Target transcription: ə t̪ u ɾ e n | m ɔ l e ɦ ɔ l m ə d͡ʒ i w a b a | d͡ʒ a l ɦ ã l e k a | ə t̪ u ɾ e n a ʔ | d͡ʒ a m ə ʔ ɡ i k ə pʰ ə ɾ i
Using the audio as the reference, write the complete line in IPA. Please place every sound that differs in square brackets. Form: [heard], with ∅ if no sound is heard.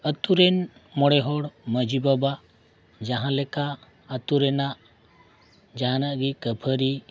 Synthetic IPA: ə t̪ u ɾ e n | m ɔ [ɽ] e ɦ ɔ [ɽ] m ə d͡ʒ i [b] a b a | d͡ʒ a [∅] ɦ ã l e k a | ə t̪ u ɾ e n a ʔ | d͡ʒ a [n] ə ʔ ɡ i k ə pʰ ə ɾ i

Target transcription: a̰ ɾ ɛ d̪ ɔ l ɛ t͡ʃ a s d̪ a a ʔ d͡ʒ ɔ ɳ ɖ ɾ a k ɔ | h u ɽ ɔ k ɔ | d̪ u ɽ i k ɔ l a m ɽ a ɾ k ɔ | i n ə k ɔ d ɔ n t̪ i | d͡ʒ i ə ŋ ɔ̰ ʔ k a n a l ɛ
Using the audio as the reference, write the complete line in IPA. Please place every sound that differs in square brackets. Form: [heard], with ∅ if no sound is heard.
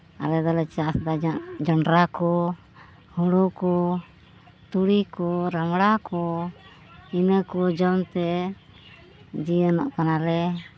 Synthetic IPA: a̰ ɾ ɛ d̪ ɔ l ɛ t͡ʃ a s d̪ a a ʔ d͡ʒ ɔ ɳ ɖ ɾ a k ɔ | h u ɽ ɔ k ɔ | [t̪] u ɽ i k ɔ [ɾ] a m ɽ a [∅] k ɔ | i n ə k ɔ [d͡ʒ] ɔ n t̪ [ɛ] | d͡ʒ i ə [n] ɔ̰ ʔ k a n a l ɛ

